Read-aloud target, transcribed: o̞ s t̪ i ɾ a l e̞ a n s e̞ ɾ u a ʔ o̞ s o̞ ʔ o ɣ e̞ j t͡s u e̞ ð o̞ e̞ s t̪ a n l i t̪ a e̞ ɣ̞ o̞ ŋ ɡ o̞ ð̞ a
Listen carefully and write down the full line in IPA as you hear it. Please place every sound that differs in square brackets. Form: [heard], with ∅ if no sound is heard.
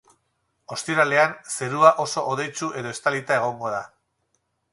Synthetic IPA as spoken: o̞ s t̪ i ɾ a l e̞ a n s e̞ ɾ u a ʔ o̞ s o̞ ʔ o [ð] e̞ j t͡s u e̞ ð o̞ e̞ s t̪ a [∅] l i t̪ a e̞ ɣ̞ o̞ ŋ ɡ o̞ ð̞ a